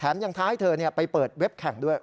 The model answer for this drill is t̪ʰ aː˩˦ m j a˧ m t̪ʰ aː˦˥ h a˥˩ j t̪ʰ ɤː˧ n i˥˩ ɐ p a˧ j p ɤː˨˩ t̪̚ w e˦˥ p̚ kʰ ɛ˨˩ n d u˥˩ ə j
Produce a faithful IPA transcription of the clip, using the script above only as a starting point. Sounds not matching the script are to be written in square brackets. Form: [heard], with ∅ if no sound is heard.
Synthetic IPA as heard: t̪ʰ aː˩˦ m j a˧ [ŋ] t̪ʰ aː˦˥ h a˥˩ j t̪ʰ ɤː˧ n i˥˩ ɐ p a˧ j p ɤː˨˩ t̪̚ w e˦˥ p̚ kʰ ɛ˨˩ [ŋ] d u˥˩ ə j